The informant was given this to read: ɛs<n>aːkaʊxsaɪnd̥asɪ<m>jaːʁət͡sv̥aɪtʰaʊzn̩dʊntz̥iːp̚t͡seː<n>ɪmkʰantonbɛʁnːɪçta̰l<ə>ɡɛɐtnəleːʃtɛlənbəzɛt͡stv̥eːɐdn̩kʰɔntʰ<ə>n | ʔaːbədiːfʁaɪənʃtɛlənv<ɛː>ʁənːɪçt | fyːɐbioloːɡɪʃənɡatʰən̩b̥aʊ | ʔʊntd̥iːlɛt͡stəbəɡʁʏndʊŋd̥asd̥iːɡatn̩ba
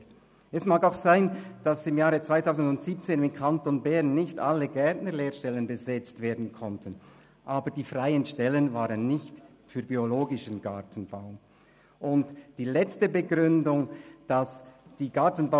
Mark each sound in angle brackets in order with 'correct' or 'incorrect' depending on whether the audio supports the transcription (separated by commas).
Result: incorrect, correct, correct, correct, correct, incorrect